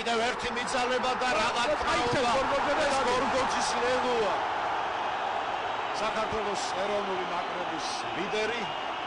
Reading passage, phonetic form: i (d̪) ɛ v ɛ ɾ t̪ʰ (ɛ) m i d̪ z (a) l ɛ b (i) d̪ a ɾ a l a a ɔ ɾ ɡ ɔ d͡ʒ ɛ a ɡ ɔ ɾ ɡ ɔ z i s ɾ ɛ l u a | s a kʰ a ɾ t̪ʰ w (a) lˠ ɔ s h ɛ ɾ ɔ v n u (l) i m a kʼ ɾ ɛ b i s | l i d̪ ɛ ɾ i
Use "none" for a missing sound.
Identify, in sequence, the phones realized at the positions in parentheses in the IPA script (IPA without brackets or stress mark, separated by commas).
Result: d̪, i, a, a, ɛ, l